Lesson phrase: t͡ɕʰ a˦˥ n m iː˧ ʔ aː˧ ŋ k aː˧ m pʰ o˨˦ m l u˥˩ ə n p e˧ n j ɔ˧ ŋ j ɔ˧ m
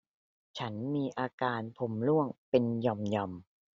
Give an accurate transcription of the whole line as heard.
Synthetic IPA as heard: t͡ɕʰ a˦˥ n m iː˧ ʔ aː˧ k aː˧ n pʰ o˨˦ m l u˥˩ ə ŋ p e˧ n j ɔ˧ m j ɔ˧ m